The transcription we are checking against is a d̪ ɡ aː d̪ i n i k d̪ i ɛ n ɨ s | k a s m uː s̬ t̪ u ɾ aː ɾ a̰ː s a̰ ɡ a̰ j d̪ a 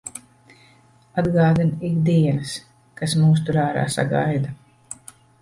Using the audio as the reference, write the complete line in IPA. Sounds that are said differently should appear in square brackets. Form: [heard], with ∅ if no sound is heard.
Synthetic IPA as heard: a d̪ ɡ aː d̪ i n i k d̪ i ɛ n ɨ s | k a s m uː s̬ t̪ u ɾ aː ɾ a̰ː s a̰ ɡ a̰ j d̪ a